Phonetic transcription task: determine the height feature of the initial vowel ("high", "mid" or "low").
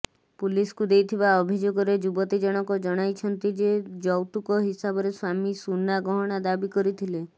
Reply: high